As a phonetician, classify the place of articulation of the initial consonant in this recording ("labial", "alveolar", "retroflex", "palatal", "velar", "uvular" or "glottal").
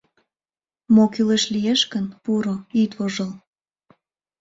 labial